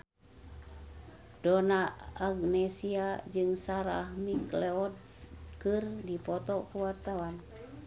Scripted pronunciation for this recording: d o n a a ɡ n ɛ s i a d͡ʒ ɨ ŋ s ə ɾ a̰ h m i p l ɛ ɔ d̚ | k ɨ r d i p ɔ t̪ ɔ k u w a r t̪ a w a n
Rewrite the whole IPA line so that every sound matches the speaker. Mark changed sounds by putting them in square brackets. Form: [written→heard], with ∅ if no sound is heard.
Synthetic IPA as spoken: d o n a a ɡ n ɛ s i a d͡ʒ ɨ ŋ s [ə→a] ɾ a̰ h m i [p→k] l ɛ ɔ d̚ | k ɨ r d i p ɔ t̪ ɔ k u w a r t̪ a w a n